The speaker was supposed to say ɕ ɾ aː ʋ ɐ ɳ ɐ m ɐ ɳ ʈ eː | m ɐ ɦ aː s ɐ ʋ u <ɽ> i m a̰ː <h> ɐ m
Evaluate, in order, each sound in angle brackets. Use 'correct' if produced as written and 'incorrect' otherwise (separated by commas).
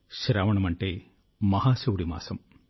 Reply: correct, incorrect